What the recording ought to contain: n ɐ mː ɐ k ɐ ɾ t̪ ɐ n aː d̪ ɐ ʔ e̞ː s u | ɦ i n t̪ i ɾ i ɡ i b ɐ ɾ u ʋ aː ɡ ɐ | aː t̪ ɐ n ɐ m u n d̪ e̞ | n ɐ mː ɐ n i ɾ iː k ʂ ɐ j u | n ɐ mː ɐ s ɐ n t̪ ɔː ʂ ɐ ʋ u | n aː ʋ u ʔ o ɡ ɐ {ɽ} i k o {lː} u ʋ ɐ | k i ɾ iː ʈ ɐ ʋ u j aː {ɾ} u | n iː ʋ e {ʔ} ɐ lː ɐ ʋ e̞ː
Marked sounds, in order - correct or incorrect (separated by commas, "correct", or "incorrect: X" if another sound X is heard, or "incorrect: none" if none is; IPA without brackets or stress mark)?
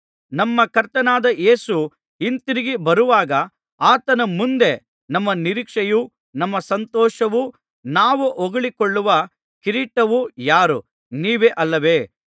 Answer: incorrect: ɭ, incorrect: ɭː, correct, correct